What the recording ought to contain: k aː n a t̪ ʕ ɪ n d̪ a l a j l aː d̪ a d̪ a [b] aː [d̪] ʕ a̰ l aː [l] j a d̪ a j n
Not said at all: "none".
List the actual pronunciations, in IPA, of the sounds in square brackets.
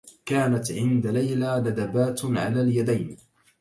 b, t̪, l

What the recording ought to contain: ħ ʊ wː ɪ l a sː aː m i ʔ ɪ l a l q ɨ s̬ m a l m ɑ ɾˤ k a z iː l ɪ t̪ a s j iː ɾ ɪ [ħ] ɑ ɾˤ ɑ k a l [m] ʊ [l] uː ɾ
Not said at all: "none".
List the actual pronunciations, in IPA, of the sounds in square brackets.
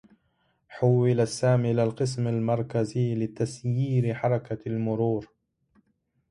ħ, m, ɾ

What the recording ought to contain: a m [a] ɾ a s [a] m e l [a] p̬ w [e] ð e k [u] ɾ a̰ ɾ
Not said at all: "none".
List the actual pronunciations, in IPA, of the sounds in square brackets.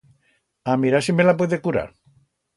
i, i, a, e, u

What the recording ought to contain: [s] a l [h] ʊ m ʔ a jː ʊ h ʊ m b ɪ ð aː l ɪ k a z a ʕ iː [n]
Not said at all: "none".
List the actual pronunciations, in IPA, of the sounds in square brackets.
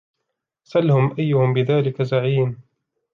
s, h, n

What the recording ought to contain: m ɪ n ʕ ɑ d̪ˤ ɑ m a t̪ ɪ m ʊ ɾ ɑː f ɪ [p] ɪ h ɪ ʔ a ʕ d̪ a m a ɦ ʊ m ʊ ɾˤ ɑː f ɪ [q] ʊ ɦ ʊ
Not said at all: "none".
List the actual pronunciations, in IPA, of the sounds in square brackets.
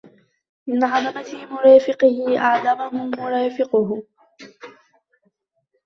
q, q

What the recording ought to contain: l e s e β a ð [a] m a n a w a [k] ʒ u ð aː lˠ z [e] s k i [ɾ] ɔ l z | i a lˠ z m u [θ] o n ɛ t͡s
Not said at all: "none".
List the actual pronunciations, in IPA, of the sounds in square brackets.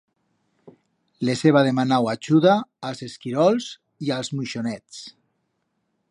e, none, e, ɾ, ʃ

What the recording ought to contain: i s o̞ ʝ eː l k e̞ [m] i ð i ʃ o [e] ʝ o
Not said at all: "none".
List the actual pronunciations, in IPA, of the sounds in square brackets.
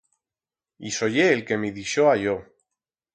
m, a

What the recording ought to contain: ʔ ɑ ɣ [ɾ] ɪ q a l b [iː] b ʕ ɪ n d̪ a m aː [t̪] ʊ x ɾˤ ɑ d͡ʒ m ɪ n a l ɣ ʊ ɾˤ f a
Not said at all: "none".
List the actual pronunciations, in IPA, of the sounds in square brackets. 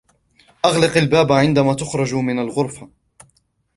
l, aː, t̪

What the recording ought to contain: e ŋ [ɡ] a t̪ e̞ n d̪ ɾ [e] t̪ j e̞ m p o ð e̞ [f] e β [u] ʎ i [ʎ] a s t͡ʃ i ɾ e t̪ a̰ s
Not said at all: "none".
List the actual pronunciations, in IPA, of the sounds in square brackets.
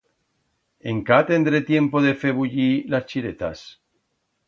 k, e, f, u, l

